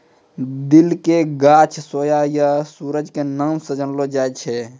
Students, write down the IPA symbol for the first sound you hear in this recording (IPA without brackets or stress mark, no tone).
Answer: d̪